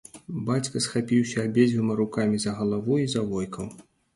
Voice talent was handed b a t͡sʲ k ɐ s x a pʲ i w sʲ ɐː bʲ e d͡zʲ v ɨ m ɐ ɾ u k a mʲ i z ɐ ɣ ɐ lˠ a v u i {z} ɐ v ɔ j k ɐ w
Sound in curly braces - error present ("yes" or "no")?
no